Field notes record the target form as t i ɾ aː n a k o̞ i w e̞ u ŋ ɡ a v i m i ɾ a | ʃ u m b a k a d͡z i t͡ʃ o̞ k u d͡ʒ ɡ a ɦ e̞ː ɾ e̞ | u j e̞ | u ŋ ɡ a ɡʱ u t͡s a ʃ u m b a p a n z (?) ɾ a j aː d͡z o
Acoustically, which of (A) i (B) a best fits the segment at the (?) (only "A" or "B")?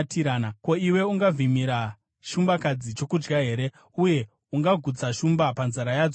B